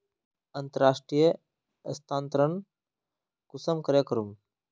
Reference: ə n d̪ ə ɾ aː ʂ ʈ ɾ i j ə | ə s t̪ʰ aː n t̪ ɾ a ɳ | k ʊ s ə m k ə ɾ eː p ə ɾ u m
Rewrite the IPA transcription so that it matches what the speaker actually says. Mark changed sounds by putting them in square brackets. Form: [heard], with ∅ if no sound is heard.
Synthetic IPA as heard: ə n [t̪] ə ɾ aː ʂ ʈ ɾ i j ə | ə s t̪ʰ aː n t̪ ɾ [ə] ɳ | k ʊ s ə m k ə ɾ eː [k] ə ɾ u m

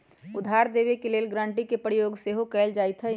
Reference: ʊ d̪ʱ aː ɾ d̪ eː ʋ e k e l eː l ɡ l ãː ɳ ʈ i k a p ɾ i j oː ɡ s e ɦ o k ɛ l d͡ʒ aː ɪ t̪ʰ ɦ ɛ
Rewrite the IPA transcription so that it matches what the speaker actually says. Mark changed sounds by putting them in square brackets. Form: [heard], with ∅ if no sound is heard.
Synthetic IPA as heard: ʊ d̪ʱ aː ɾ d̪ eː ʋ e k e l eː l ɡ [ɾ] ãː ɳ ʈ i k [e] p ɾ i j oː ɡ s e ɦ o k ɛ l d͡ʒ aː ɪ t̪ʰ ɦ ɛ

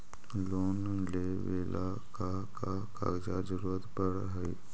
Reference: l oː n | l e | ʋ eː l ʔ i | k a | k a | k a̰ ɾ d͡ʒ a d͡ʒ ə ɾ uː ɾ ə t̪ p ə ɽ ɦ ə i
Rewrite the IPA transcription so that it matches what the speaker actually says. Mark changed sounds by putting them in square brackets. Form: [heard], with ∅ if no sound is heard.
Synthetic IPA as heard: l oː n | l e | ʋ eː l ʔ [a] | k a | k a | k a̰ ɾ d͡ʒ a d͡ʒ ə ɾ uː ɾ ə t̪ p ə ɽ ɦ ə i

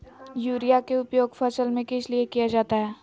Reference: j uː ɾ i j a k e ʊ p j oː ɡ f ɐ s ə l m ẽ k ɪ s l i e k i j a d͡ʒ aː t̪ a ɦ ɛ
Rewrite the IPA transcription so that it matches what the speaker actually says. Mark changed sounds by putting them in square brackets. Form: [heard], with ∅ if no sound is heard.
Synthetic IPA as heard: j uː ɾ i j a k e ʊ p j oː ɡ f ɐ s ə l m ẽ k ɪ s l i e k i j a d͡ʒ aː t̪ a ɦ [ɛː]

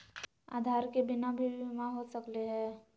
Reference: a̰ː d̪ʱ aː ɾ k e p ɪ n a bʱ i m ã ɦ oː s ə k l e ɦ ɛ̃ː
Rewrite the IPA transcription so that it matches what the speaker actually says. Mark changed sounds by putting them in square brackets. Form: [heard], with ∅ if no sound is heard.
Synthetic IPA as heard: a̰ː d̪ʱ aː ɾ k e [b] ɪ n a bʱ i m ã ɦ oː s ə k l e ɦ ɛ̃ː

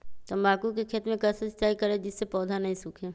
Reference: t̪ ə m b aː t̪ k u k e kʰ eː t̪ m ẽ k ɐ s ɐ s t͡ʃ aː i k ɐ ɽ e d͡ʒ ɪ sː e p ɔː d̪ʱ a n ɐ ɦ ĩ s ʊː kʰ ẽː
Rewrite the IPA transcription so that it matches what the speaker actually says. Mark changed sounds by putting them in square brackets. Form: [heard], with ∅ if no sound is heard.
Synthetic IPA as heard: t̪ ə m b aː [∅] k u k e kʰ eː t̪ m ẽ k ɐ s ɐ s t͡ʃ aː i k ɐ [ɾ] e d͡ʒ ɪ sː e p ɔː d̪ʱ a n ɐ ɦ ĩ s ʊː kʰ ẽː

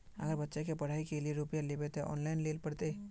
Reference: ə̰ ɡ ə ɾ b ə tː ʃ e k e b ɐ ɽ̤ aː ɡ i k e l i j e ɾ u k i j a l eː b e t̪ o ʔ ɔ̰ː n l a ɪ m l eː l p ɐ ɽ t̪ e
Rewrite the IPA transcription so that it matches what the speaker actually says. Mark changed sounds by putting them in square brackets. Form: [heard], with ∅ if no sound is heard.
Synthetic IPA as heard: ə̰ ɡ ə ɾ b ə tː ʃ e k e [p] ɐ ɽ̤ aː [∅] i k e l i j e ɾ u [p] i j a l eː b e t̪ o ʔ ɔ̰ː n l a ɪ [n] l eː l p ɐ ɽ t̪ e

